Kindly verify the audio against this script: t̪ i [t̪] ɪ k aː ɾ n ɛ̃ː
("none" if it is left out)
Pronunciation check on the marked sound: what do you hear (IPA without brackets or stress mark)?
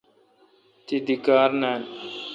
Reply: d̪